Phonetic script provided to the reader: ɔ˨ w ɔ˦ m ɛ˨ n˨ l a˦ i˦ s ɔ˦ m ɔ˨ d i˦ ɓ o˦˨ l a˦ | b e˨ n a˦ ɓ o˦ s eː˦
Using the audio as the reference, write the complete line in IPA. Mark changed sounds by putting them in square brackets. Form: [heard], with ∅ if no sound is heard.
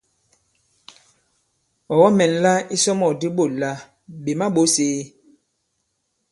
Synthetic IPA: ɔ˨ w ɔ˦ m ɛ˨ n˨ l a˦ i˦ s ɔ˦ m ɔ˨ d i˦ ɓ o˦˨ l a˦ | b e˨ [m] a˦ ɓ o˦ s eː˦